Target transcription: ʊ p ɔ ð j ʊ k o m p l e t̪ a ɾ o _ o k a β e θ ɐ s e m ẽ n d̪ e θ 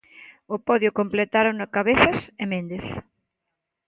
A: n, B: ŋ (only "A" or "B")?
A